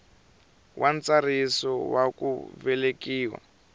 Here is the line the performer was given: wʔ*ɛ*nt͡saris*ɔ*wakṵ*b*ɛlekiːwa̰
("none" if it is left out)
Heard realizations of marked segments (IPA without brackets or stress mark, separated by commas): a, ɔ, v